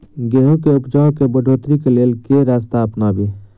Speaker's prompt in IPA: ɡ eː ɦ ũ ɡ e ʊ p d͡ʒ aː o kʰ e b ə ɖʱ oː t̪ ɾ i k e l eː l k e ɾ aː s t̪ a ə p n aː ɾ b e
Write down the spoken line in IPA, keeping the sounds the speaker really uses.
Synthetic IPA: ɡ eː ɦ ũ k e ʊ p d͡ʒ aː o k e b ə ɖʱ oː t̪ ɾ i k e l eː l k e ɾ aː s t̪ a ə p n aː b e